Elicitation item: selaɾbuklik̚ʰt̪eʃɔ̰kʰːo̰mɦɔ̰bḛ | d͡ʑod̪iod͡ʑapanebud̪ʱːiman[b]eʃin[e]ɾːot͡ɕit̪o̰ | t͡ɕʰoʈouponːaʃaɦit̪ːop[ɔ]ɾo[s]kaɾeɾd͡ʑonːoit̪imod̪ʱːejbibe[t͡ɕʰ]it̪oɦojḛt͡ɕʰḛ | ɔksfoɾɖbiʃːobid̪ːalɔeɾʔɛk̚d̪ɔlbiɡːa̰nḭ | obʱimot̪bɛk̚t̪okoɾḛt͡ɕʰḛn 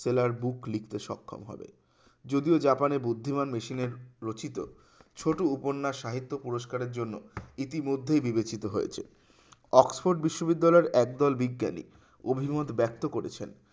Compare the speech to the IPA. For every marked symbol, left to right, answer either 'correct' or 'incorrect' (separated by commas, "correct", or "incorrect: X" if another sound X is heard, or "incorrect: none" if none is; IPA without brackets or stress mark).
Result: incorrect: m, correct, incorrect: u, incorrect: ʃ, incorrect: t͡ɕ